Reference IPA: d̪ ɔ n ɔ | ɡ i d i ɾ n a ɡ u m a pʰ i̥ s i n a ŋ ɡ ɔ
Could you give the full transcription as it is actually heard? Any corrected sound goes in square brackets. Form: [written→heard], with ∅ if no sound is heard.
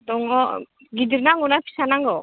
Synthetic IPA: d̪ ɔ [n→ŋ] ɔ | ɡ i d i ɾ n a [ɡ→ŋ] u [m→n] a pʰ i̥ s [i→a] n a ŋ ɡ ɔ